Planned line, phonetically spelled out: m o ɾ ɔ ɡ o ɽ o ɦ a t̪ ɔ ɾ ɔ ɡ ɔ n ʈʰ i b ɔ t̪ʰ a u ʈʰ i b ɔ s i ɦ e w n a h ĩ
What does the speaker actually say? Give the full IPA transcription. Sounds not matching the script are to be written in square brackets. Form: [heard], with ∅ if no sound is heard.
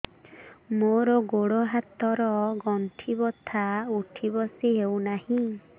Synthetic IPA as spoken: m o ɾ ɔ ɡ o ɽ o ɦ a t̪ ɔ ɾ ɔ ɡ ɔ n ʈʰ i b ɔ t̪ʰ a u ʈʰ i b ɔ s i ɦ e w n a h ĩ